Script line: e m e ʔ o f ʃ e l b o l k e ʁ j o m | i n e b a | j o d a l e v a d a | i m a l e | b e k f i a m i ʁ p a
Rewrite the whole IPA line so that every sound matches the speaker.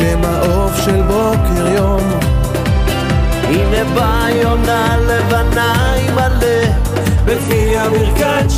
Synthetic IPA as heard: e m a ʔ o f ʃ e l b o k e ʁ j o m | i n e b a | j o n a l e v a n a | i m a l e | b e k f i a m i ʁ k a